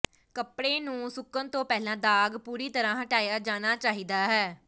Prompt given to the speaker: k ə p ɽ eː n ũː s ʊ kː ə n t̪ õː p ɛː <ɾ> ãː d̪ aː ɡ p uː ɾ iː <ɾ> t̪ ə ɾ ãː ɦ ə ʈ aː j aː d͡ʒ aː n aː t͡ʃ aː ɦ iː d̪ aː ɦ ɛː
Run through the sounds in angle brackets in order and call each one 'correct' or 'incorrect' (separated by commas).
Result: incorrect, incorrect